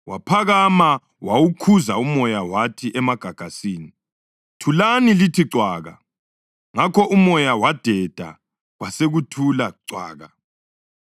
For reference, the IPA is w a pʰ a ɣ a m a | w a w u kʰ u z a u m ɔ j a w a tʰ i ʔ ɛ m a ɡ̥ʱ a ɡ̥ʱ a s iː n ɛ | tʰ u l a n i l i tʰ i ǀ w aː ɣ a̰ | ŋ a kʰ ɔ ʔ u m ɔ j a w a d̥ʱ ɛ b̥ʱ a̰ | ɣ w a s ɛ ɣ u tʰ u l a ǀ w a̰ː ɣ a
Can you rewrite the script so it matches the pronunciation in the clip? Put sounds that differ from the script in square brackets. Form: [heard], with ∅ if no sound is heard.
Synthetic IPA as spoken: w a pʰ a ɣ a m a | w a w u kʰ u z a u m ɔ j a w a tʰ i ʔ ɛ m a ɡ̥ʱ a ɡ̥ʱ a s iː n [i] | tʰ u l a n i l i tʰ i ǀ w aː ɣ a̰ | ŋ a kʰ ɔ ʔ u m ɔ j a w a d̥ʱ ɛ [d̥ʱ] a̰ | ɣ w a s [e] ɣ u tʰ u l a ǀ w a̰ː ɣ a